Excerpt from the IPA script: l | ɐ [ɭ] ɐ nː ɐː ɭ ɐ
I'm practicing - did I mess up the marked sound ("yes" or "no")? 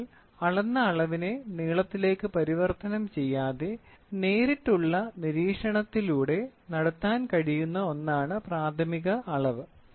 no